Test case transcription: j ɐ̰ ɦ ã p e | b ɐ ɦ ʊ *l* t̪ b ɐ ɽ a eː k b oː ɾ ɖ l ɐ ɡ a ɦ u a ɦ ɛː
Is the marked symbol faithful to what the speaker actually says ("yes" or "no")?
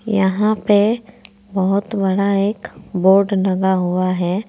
no